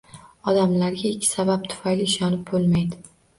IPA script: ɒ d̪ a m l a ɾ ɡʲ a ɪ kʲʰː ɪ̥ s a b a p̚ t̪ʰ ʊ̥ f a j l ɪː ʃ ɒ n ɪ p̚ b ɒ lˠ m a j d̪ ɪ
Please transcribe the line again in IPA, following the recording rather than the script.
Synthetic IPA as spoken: ɒ d̪ a m l a ɾ ɡʲ a ɪ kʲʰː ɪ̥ s a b a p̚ t̪ʰ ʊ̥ f a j l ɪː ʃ ɒ n ɪ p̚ b o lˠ m a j d̪ ɪ